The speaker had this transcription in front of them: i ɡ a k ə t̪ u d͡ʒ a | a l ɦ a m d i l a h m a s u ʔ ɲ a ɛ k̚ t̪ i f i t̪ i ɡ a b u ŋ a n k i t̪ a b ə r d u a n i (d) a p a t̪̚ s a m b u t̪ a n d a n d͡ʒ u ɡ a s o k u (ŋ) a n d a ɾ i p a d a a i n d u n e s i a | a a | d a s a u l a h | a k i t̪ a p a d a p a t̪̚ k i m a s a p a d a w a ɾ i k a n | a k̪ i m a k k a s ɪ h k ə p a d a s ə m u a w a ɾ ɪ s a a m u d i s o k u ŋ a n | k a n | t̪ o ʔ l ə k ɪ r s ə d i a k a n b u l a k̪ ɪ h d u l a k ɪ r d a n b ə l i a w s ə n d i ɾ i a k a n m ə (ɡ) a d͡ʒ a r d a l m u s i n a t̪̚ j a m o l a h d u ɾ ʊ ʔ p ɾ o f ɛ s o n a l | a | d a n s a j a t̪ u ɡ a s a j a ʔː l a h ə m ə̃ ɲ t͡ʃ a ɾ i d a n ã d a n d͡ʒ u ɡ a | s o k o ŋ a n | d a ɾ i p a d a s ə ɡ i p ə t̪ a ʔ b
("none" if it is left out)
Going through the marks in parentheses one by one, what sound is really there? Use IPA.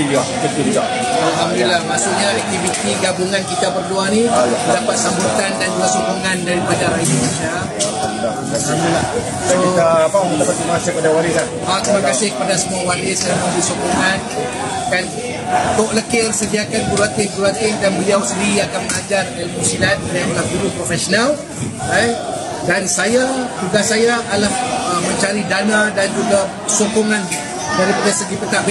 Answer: d, ŋ, ŋ

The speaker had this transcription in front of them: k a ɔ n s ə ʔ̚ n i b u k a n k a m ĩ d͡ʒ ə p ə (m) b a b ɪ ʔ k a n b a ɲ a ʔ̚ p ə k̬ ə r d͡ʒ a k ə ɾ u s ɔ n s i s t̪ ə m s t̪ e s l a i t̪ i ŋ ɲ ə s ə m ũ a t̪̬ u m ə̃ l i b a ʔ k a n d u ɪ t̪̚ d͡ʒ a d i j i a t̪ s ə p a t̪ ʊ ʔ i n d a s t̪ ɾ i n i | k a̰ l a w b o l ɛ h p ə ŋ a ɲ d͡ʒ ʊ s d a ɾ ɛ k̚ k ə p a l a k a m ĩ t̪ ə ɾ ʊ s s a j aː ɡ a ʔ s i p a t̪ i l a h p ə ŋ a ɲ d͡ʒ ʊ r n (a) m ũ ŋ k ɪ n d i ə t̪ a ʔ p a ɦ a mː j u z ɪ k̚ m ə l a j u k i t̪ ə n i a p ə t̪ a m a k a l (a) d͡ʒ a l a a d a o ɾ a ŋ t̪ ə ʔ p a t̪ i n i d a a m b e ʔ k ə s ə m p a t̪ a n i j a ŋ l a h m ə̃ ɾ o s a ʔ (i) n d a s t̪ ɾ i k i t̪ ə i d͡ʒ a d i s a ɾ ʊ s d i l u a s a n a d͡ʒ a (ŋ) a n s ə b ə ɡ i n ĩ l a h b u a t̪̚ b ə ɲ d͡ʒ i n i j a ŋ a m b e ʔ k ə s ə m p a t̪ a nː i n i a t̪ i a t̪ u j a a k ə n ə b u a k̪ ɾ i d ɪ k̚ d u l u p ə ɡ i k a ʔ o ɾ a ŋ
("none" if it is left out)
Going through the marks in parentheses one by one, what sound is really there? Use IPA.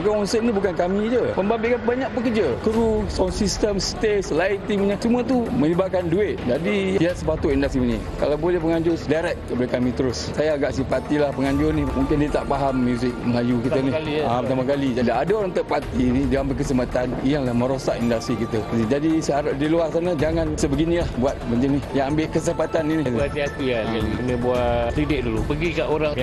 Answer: m, i, i, i, ŋ

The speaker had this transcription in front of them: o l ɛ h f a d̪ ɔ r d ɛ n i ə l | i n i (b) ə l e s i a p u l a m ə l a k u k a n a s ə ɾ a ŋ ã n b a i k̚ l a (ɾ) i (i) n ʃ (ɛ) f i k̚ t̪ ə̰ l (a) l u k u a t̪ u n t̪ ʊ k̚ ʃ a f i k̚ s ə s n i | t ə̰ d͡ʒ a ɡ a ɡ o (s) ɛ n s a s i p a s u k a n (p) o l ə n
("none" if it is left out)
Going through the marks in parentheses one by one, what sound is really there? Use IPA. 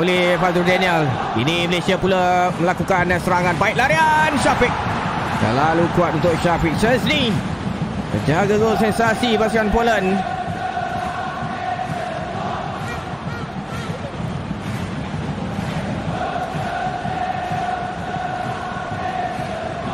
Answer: m, ɾ, a, a, a, s, p

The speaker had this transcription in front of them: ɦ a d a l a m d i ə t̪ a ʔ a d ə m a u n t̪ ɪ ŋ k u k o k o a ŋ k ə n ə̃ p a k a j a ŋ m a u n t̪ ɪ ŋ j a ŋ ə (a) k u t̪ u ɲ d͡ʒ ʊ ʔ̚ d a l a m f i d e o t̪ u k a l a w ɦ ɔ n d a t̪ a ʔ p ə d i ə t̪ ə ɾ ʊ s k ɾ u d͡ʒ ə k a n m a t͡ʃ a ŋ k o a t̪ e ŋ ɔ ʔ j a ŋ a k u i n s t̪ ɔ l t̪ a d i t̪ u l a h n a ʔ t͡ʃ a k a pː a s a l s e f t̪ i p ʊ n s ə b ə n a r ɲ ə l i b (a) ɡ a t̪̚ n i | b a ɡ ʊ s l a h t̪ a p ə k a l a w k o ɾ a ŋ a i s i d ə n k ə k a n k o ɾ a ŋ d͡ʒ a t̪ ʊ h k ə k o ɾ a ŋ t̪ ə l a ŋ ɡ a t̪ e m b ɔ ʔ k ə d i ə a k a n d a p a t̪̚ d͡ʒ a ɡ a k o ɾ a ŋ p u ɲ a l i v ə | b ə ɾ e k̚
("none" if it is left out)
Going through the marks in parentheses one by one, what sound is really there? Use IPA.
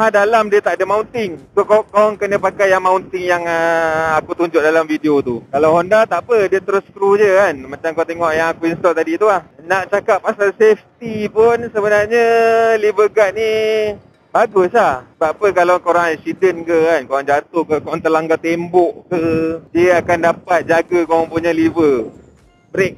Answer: a, ə

